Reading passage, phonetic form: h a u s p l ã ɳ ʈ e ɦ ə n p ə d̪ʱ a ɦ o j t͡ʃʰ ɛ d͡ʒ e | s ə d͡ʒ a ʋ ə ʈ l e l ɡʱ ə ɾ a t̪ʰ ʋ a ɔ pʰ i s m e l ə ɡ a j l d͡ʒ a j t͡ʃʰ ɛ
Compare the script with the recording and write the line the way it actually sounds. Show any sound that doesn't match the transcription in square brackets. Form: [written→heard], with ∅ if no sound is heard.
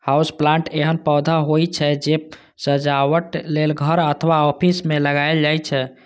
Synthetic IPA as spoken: h a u s p l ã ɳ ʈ e ɦ ə n p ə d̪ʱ a ɦ o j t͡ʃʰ ɛ d͡ʒ e | s ə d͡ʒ a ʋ ə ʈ l e l ɡʱ ə ɾ [a→ə] t̪ʰ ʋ a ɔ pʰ i s m e l ə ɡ a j l d͡ʒ a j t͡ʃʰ ɛ